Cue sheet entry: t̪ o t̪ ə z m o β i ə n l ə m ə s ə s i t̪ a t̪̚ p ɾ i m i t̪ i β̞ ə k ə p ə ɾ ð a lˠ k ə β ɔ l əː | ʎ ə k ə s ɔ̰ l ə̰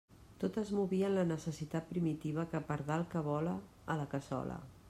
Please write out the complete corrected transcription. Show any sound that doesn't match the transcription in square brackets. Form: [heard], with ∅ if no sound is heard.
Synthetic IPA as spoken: t̪ o t̪ ə z m [u] β i ə n l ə [n] ə s ə s i t̪ a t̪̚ p ɾ i m i t̪ i β̞ ə k ə p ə ɾ ð a lˠ k ə β ɔ l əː | [l] ə k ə s ɔ̰ l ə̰